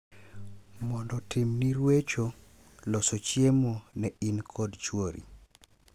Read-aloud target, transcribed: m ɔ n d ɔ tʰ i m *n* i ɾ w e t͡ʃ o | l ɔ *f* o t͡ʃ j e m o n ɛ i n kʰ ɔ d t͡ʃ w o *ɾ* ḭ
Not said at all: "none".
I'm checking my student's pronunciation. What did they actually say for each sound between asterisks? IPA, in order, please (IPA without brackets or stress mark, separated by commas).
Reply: n, s, ɾ